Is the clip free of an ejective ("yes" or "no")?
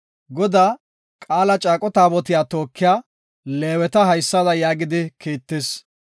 no